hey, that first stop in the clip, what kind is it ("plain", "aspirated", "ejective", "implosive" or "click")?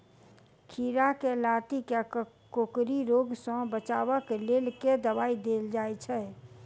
aspirated